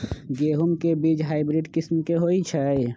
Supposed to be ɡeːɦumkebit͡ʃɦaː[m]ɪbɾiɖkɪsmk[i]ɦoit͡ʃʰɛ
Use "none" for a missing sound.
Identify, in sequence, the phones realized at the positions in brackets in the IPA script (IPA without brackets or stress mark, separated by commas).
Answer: none, e